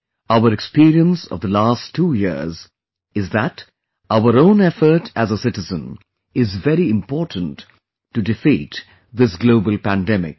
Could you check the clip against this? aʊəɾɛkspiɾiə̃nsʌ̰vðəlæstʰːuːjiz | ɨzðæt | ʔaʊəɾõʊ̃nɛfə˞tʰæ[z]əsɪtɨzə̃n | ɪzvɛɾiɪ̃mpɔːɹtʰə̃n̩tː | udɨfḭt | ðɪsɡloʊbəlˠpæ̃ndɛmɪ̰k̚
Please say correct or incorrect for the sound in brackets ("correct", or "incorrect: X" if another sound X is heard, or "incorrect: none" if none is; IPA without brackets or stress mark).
correct